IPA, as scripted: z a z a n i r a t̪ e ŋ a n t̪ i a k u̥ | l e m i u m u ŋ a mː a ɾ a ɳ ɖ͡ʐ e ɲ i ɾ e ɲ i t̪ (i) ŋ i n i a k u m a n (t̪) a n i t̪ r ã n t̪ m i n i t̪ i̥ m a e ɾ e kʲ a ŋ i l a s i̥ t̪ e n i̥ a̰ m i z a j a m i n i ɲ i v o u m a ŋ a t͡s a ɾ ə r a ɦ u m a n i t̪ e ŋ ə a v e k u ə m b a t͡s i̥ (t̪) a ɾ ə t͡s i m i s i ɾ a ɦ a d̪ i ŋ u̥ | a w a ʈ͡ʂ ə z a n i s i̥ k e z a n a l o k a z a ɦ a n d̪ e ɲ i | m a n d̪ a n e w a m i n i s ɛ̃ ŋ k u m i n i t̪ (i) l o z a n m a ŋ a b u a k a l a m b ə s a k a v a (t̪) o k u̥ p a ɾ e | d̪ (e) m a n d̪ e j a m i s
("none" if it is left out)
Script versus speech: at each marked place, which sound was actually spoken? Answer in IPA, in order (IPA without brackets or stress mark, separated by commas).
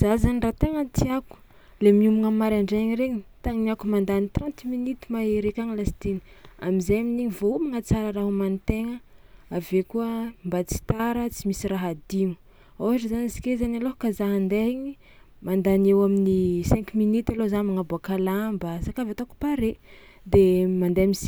a, d̪, t̪, a, t̪, e